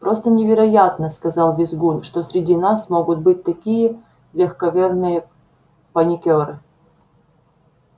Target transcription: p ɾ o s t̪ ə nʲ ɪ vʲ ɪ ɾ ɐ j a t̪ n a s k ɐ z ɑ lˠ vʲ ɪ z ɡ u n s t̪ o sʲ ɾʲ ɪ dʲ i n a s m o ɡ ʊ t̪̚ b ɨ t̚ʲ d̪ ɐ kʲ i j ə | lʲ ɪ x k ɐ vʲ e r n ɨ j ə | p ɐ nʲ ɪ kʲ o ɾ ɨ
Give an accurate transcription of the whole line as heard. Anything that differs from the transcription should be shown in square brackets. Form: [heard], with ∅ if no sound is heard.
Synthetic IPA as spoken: p ɾ o s t̪ ə nʲ ɪ vʲ ɪ ɾ ɐ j a t̪ n [ə] s k ɐ z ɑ lˠ vʲ ɪ z ɡ u n [ʂ] t̪ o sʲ ɾʲ ɪ dʲ i n a s m o ɡ ʊ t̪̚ b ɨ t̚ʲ [t̪] ɐ kʲ i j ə | lʲ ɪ x k ɐ vʲ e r n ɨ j ə | p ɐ nʲ ɪ kʲ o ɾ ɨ